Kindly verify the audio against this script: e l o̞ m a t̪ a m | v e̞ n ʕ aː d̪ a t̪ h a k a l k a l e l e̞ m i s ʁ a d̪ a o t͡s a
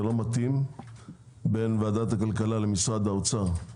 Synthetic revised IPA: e l o̞ m a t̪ i m | b e̞ n v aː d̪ a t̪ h a k a l k a l a l e̞ m i s ʁ a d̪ a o t͡s a

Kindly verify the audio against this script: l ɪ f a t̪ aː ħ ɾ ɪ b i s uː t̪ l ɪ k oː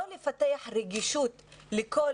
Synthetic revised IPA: l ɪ f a t̪ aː ħ ɾ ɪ ɡ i ʃ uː t̪ l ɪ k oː

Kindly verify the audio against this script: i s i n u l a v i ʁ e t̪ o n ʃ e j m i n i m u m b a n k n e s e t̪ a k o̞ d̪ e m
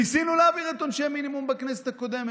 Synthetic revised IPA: i s i n u l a v i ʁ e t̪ o n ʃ e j m i n i m u m b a k n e s e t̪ a k o̞ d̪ e m

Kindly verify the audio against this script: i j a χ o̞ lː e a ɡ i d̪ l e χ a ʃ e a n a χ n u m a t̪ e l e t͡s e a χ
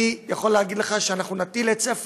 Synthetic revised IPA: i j a χ o̞ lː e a ɡ i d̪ l e χ a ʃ e a n a χ n u n a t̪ i l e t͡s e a f

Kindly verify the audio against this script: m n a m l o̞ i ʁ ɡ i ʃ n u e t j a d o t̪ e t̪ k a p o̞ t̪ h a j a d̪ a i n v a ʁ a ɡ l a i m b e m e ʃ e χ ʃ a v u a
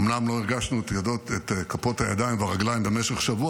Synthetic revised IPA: m n a m l o̞ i ʁ ɡ a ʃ n u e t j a d o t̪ e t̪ k a p o̞ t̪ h a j a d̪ a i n v a ʁ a ɡ l a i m b e m e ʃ e χ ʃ a v u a

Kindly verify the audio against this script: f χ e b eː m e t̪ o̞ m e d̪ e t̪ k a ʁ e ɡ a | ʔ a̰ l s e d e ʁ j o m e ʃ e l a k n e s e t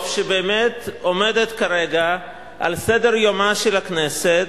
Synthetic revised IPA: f ʃ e b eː m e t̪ o̞ m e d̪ e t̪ k a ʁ e ɡ a | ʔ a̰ l s e d e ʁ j o m a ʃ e l a k n e s e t

